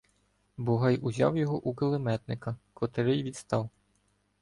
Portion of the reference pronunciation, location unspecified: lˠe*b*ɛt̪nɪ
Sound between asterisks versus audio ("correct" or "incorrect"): incorrect